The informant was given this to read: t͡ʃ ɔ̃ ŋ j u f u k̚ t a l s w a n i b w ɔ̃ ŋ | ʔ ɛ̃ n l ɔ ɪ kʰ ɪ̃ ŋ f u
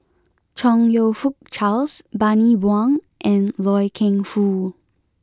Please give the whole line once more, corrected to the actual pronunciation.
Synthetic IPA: t͡ʃ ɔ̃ ŋ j o f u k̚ t͡ʃ a l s b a n i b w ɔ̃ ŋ | ʔ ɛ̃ n l ɔ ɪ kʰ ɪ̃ ŋ f u